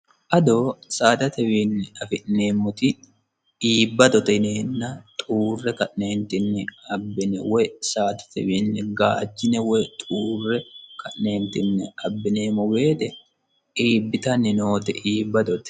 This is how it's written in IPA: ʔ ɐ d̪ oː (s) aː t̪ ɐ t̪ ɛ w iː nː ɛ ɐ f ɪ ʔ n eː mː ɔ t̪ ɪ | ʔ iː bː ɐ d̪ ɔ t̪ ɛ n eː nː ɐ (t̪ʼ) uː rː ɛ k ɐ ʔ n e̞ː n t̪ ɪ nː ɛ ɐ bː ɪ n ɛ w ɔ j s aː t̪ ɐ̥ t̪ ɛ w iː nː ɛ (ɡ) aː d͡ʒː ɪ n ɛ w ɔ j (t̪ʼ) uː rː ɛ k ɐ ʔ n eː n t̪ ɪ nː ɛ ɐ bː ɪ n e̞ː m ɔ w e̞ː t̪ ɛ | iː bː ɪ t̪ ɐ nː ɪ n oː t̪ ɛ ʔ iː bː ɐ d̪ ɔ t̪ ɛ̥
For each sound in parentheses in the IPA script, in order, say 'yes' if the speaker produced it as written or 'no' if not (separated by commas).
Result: yes, yes, yes, yes